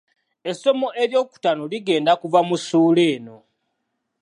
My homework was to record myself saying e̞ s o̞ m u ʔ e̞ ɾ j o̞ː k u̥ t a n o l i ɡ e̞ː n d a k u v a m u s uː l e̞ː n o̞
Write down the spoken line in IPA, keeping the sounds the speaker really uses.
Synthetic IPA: e̞ s o̞ m o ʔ e̞ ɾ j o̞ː k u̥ t a n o l i ɡ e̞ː n d a k u v a m u s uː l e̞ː n o̞